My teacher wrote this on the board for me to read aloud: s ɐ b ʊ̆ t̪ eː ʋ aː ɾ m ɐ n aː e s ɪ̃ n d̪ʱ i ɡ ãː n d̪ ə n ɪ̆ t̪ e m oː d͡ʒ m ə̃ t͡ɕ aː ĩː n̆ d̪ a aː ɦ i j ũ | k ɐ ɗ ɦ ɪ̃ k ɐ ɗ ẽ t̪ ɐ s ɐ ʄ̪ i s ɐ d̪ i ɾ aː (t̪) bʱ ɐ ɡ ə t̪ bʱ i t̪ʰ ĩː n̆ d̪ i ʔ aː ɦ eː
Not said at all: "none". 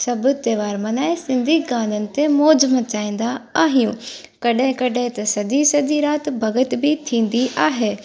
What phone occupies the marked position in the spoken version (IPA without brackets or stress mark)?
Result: t̪